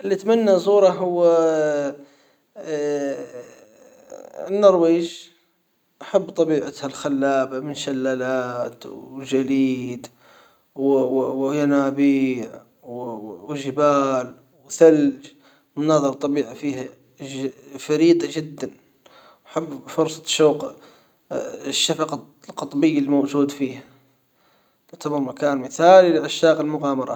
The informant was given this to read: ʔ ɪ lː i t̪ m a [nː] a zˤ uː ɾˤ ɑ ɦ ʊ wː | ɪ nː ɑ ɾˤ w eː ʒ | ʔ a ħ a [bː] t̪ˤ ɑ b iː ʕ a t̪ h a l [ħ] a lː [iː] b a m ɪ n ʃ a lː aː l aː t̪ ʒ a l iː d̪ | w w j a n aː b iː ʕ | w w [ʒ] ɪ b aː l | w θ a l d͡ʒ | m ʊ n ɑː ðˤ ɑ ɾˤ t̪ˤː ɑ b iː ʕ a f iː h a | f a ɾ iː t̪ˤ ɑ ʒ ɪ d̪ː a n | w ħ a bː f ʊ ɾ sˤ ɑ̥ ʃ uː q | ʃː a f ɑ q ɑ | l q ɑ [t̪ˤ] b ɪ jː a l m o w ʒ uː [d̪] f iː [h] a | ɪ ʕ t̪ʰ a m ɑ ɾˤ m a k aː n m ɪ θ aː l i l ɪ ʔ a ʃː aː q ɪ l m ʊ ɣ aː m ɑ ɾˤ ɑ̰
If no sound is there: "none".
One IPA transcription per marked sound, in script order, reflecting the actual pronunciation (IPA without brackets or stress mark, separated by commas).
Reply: nː, bː, x, aː, ʒ, t̪ˤ, d̪, h